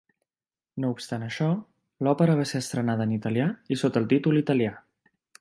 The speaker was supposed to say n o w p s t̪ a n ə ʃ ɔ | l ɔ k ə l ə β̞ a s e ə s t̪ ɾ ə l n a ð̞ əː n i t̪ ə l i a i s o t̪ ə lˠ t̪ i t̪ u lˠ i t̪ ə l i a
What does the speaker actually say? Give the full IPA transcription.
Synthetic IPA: n o u p s t̪ a n ə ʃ ɔ | l ɔ p ə ɾ ə β̞ a s e ə s t̪ ɾ ə n a ð̞ əː n i t̪ ə l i a i s o t̪ ə lˠ t̪ i t̪ u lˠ i t̪ ə l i a